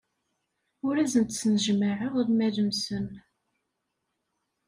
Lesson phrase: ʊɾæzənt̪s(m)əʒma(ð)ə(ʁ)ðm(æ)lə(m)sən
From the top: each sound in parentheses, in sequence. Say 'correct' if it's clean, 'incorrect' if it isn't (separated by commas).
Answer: incorrect, incorrect, correct, correct, correct